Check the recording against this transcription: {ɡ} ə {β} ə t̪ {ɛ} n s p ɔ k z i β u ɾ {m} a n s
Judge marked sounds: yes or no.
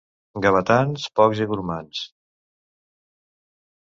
yes, yes, no, yes

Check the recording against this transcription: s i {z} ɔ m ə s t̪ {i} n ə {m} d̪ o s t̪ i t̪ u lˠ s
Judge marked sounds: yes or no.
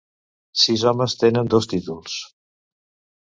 yes, no, no

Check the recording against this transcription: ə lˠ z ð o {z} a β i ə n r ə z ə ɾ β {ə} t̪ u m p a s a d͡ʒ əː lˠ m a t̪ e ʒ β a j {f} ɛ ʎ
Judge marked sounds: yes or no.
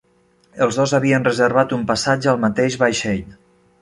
yes, no, no

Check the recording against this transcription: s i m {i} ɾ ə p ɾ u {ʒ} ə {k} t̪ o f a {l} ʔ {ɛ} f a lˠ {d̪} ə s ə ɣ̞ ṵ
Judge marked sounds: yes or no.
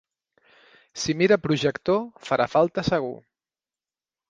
yes, yes, yes, no, no, no

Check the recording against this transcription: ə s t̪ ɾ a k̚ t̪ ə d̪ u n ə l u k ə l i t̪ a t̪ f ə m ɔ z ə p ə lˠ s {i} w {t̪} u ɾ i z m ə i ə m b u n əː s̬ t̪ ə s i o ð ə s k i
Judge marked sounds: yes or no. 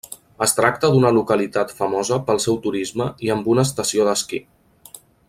no, yes

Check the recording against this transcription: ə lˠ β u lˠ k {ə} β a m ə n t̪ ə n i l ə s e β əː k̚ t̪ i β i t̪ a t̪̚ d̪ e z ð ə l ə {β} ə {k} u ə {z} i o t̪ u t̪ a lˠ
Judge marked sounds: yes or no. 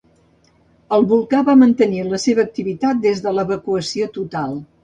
no, yes, yes, no

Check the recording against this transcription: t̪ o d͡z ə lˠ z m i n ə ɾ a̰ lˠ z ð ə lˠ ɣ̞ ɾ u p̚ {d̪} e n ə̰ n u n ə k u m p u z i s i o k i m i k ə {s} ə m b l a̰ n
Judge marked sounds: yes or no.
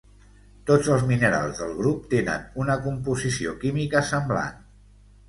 no, yes

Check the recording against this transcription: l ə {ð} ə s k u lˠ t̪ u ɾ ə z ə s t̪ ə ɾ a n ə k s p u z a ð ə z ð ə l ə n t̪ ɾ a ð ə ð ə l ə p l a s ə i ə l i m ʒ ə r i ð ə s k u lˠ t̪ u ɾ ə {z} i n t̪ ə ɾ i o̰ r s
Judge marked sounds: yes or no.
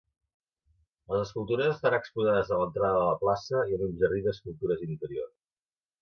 no, yes

